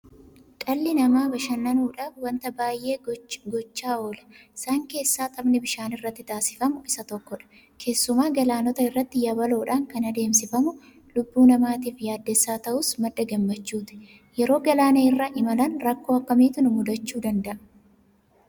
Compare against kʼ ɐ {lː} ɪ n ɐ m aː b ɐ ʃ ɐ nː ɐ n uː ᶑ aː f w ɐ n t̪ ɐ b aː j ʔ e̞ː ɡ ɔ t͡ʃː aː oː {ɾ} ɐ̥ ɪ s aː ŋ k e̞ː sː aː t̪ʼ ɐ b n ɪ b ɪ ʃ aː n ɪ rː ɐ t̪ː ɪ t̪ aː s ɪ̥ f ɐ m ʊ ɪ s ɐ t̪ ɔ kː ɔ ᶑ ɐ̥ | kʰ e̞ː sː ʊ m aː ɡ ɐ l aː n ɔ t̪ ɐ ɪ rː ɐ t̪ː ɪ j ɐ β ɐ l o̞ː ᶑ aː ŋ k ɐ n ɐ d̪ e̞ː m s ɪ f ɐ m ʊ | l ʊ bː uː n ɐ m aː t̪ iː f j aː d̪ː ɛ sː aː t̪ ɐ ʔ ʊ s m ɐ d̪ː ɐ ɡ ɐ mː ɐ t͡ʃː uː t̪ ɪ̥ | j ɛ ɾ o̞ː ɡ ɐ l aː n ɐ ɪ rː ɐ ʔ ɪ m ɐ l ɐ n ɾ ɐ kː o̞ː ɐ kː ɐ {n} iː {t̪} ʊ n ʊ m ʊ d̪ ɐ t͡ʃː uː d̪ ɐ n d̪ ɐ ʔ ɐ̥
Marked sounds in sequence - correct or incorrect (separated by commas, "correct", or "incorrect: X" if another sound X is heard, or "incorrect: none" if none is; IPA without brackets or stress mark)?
correct, incorrect: l, incorrect: m, correct